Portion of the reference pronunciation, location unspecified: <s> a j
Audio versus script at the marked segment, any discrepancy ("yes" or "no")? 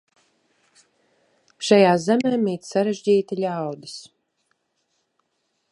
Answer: yes